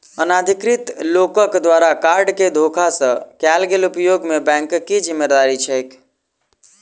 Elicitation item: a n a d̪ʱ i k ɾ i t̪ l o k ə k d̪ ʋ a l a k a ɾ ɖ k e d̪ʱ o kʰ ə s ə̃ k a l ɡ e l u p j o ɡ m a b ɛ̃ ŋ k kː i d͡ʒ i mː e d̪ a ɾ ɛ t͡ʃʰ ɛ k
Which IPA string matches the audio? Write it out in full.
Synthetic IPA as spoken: ə n a d̪ʱ i k ɾ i t̪ l o k ə k d̪ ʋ a ɾ a k a ɾ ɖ k e d̪ʱ o kʰ a s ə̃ k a l ɡ e l u p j o ɡ m e b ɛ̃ ŋ k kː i d͡ʒ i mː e d̪ a ɾ i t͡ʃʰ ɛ k